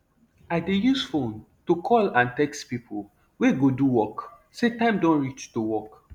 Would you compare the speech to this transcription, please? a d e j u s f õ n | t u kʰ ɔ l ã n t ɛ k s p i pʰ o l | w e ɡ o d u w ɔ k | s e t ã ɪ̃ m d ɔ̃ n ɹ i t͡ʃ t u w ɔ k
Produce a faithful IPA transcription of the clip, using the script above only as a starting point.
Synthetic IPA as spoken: a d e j u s f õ n | t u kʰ ɔ l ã n t ɛ k s p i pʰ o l | w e ɡ o d u w ɔ k | s e t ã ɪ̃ m d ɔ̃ n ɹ i t͡ʃ t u w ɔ k